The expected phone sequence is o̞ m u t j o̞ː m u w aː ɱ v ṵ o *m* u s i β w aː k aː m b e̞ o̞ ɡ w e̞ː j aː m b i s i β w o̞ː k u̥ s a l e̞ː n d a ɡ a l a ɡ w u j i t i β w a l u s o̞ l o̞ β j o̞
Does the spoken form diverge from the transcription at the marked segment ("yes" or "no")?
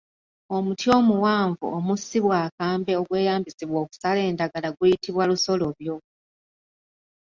no